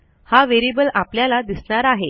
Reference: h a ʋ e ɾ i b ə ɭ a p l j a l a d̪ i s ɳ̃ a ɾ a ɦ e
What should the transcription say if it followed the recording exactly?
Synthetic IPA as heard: h a ʋ e ɾ i b ə l a p l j a l a d̪ i s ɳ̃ a ɾ a ɦ e

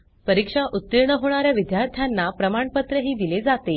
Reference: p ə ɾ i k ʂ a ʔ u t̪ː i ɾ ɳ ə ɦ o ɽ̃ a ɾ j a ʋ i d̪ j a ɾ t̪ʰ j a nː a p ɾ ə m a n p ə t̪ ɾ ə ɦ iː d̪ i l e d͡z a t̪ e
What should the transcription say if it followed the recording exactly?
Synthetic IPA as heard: p ə ɾ i k ʂ a ʔ u t̪ː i ɾ ɳ ə ɦ o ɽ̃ a ɾ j a ʋ i d̪ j a ɾ t̪ʰ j a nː a p ɾ ə m a ɳ p ə t̪ ɾ ə ɦ iː d̪ i l e d͡z a t̪ e

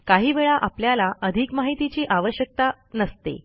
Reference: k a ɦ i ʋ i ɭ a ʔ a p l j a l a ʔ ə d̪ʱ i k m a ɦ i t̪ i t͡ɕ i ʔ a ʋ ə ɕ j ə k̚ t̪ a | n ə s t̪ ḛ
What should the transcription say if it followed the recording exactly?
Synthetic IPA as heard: k a ɦ iː ʋ e ɭ a ʔ a p l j a l a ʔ ə d̪ʱ i k m a ɦ i t̪ i t͡ɕ iː ʔ a ʋ ə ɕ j ə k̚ t̪ a | n ə s t̪ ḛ

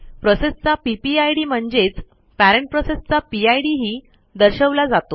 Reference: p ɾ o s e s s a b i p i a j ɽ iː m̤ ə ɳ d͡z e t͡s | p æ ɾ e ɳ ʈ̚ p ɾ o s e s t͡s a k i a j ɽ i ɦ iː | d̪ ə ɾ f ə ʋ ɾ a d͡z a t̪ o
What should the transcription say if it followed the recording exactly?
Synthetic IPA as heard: p ɾ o s e s t͡s a p i p i a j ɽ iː m̤ ə ɳ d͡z e t͡s | p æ ɾ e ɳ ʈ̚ p ɾ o s e s t͡s a p i a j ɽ i ɦ iː | d̪ ə ɾ ɕ ə ʋ l a d͡z a t̪ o

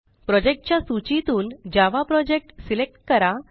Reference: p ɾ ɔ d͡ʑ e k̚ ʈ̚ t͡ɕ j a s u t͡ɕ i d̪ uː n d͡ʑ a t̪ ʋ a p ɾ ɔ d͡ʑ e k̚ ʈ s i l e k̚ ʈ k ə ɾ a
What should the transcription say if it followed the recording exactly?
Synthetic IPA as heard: p ɾ ɔ d͡ʑ e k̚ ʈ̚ t͡ɕ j a s u t͡ɕ i t̪ uː n d͡ʑ a ʋ a p ɾ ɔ d͡ʑ e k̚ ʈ s i l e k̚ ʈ k ə ɾ a

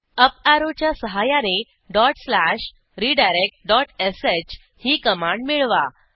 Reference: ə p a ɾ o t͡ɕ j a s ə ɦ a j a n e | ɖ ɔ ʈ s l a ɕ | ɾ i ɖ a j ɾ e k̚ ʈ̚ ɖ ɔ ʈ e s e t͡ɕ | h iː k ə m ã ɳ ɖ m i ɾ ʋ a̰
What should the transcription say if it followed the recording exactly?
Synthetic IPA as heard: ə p a ɾ o t͡ɕ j a s ə ɦ a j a n e | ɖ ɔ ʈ s l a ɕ | ɾ i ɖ a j ɾ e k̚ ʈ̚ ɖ ɔ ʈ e s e t͡ɕ | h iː k ə m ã ɳ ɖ m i ɭ ʋ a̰

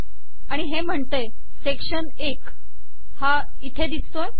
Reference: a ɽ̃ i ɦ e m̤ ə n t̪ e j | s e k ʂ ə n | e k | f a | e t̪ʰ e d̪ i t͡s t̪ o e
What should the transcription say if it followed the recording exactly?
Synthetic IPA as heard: a ɽ̃ i ɦ e m̤ ə ɳ t̪ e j | s e k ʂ ə n | e k | h a | i t̪ʰ e d̪ i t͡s t̪ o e

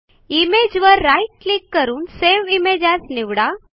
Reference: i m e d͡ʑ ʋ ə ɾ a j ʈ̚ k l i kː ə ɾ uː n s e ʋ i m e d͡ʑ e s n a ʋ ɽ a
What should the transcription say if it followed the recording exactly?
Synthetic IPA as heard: i m e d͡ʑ ʋ ə ɾː a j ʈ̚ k l i kː ə ɾ uː n s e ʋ i m e d͡ʑ a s n i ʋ ɽ a

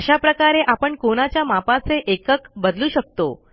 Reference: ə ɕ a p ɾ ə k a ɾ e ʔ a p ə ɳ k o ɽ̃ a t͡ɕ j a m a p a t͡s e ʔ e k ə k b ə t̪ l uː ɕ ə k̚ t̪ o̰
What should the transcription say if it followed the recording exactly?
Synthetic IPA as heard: ə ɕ a p ɾ ə k a ɾ e ʔ a p ə ɳ k o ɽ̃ a t͡ɕ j a m a p a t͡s e ʔ e k ə k b ə d̪ l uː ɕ ə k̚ t̪ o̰

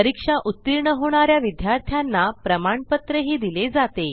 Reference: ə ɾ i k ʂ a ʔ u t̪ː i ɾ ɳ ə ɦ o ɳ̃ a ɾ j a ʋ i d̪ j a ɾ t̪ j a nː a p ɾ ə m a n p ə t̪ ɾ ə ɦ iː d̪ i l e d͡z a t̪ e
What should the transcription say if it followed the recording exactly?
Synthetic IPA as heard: ə ɾ i k ʂ a ʔ u t̪ː i ɾ ɳ ə ɦ o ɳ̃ a ɾ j a ʋ i d̪ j a ɾ t̪ʰ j a nː a p ɾ ə m a ɳ p ə t̪ ɾ ə ɦ iː d̪ i l e d͡z a t̪ e

